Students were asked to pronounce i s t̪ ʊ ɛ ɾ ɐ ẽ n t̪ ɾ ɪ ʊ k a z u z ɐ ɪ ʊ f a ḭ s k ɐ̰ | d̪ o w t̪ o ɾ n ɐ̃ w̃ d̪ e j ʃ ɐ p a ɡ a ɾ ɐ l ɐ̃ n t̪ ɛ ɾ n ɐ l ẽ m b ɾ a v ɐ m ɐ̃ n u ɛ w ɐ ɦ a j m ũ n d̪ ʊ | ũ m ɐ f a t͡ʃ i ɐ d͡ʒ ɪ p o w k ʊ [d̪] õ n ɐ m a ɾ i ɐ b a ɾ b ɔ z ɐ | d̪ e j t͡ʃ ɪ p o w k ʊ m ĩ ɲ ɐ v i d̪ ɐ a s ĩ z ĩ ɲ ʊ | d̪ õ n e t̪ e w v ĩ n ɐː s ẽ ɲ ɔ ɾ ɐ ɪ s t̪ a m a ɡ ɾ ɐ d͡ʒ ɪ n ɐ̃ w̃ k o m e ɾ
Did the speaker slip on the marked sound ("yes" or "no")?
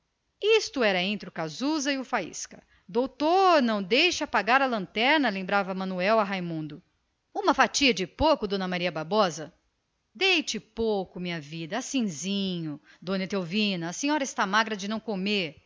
no